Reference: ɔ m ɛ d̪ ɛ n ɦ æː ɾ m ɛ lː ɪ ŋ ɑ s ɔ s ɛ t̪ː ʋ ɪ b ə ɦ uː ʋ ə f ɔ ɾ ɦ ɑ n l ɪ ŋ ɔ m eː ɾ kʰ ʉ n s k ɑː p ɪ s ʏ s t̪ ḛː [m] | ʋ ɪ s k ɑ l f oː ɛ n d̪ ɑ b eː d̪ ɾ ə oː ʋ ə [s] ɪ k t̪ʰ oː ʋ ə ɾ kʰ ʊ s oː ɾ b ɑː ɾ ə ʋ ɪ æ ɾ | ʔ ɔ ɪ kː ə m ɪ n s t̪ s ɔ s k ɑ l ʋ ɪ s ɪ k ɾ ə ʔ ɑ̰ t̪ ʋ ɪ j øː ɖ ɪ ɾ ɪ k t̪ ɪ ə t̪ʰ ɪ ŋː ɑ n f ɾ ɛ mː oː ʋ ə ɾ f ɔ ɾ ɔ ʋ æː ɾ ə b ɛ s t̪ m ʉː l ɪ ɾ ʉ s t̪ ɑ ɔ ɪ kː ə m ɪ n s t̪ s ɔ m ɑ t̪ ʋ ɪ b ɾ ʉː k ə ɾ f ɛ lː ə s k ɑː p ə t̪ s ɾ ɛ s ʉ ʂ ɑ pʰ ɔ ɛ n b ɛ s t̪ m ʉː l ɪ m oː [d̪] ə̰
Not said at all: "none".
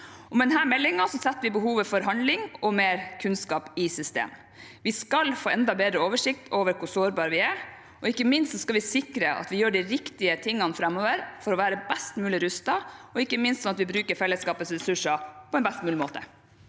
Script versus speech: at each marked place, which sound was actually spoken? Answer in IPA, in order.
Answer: m, ʂ, t̪

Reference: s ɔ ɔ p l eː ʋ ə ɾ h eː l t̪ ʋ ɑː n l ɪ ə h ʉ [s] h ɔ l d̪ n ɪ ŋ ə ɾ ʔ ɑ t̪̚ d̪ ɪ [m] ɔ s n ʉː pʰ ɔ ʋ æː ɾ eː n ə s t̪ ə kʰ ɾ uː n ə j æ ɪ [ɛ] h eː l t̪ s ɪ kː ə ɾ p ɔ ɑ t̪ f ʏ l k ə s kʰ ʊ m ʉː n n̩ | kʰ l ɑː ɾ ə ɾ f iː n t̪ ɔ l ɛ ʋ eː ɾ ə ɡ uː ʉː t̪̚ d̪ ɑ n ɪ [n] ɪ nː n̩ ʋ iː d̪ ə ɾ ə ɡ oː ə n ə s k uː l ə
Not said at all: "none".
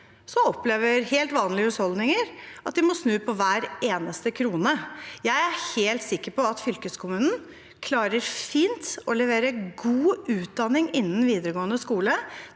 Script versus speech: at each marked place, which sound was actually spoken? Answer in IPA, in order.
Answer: s, m, æ, ŋ

